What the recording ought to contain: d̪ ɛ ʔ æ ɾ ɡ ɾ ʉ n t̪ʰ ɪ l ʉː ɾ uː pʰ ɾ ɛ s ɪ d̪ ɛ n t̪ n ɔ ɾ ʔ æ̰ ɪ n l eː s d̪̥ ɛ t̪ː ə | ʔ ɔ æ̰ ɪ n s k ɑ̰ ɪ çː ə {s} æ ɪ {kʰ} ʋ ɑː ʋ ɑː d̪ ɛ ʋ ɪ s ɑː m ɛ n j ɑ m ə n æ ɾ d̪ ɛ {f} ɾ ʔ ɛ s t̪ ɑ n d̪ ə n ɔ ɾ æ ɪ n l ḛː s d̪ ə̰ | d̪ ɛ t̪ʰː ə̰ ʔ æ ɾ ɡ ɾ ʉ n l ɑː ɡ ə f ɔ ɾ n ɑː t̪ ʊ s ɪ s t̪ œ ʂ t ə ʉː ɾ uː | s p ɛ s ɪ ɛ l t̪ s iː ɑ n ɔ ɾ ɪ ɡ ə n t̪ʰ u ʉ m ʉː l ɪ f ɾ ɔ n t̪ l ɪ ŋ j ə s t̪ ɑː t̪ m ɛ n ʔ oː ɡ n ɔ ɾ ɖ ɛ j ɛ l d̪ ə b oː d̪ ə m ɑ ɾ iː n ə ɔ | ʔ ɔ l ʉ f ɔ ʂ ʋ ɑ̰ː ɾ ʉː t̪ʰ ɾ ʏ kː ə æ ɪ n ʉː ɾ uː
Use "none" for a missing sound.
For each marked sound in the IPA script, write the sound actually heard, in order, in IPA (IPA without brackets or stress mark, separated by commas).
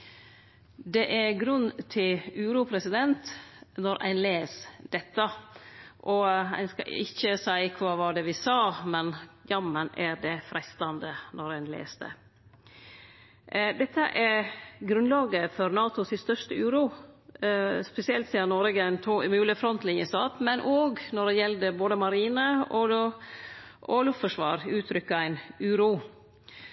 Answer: s, kʰ, f